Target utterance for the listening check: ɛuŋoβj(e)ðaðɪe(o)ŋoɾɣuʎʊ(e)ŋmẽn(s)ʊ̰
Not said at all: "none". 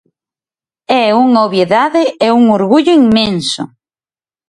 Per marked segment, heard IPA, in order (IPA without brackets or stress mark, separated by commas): e, u, i, s